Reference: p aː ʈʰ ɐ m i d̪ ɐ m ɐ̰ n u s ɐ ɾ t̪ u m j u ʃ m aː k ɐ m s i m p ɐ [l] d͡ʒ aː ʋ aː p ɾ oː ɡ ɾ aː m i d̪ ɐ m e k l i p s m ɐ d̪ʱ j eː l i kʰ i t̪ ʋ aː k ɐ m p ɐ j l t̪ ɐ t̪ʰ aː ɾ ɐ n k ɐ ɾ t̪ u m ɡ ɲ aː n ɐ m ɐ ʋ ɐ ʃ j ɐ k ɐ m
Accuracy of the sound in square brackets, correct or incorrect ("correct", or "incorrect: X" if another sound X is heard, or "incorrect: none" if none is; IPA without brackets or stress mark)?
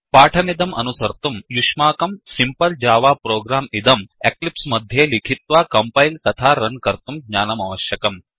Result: correct